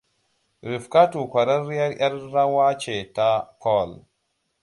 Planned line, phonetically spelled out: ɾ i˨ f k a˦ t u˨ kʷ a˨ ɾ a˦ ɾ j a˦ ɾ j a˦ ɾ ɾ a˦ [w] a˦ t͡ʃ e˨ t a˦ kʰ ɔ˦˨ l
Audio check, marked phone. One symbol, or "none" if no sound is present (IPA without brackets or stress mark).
w